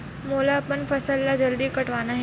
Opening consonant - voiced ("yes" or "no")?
yes